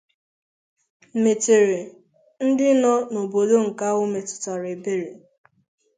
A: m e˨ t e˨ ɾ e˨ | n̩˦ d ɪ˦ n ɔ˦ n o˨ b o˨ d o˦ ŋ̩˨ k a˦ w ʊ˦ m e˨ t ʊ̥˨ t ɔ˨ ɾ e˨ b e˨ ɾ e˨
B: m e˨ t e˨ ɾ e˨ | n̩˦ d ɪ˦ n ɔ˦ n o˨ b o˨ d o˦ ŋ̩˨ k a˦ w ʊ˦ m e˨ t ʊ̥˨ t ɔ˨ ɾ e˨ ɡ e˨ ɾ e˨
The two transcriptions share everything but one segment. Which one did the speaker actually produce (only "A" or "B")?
A